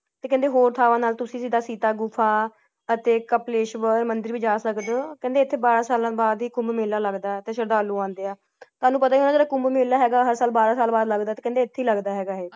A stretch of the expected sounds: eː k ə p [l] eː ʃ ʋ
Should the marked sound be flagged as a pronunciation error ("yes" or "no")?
no